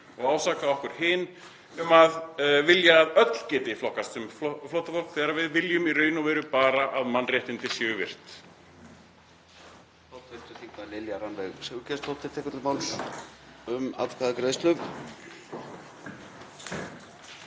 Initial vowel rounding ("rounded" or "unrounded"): rounded